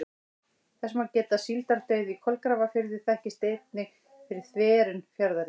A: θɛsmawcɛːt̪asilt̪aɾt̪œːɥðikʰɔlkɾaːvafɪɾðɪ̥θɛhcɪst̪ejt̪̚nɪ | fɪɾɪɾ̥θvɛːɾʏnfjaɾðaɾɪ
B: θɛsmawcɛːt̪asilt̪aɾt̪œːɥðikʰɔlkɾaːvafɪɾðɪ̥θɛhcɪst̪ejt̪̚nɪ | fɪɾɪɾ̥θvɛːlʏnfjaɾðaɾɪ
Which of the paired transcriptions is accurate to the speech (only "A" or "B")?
A